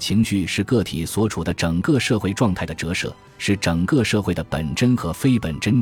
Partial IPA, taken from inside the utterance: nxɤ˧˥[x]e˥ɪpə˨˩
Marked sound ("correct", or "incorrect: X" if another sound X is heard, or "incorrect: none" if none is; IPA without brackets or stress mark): incorrect: f